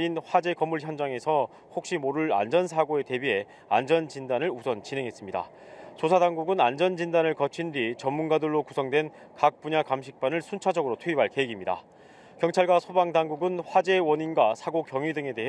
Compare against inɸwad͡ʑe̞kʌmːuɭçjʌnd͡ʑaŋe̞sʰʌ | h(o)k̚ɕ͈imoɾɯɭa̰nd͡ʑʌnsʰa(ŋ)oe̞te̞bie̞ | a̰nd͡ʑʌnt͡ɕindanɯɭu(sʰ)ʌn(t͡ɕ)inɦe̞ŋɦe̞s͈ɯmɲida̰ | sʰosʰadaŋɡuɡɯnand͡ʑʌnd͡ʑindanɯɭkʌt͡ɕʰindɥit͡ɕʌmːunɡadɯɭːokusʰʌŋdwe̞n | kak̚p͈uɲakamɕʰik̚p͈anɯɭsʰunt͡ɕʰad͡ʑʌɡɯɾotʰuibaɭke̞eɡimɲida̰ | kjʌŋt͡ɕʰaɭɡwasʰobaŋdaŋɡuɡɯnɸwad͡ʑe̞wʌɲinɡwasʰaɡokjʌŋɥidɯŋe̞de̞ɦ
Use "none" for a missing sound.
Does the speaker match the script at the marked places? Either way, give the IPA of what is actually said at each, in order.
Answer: o, ɡ, sʰ, t͡ɕ

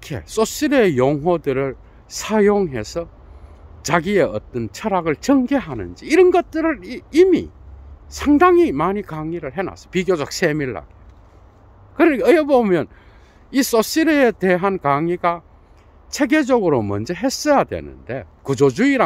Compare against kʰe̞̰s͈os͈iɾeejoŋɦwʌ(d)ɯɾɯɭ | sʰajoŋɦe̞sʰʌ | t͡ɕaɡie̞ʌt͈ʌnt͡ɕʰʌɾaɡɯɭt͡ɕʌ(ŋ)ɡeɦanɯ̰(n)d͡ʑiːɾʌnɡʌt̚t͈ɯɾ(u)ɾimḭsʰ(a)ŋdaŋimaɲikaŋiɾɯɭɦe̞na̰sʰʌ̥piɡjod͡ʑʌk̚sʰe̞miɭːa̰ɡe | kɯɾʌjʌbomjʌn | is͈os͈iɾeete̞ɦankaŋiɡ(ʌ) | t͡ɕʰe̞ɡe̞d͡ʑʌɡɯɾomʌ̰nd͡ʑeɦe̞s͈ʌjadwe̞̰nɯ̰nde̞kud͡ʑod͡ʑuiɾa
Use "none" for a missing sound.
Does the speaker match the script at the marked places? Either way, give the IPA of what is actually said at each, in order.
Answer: d, ŋ, n, ɯ, a, a

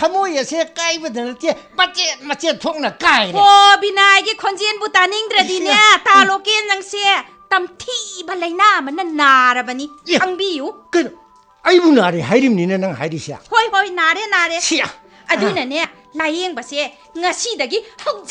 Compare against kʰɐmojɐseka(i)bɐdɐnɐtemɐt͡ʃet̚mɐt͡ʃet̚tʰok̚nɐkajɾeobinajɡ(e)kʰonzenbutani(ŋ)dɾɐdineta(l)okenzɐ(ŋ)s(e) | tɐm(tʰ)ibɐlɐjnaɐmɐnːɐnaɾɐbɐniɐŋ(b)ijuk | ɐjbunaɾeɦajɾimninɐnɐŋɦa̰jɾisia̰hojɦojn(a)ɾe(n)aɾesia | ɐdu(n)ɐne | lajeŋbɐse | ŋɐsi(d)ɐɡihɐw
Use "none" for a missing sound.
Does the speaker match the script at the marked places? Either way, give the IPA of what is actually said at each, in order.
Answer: j, i, ŋ, l, ŋ, e, tʰ, b, a, n, n, d

